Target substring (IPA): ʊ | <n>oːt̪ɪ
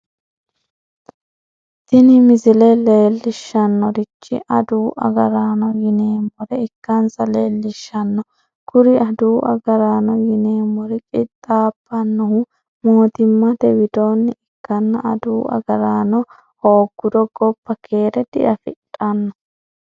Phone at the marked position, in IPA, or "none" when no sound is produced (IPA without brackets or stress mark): m